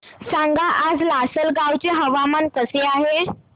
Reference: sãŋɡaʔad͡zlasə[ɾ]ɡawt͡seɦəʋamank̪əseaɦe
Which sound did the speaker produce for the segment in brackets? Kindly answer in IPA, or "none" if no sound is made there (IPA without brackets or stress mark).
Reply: l